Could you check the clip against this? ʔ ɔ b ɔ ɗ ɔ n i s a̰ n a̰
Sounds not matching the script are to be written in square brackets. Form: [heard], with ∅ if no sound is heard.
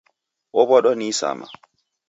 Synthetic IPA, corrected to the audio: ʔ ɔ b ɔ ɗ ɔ n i s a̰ [m] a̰